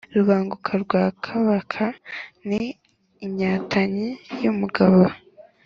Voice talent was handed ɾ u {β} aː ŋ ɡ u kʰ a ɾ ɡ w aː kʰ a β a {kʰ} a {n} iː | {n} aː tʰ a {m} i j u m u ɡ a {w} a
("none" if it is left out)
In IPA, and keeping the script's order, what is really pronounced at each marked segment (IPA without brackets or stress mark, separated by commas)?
β, kʰ, n, ɲ, ɲ, β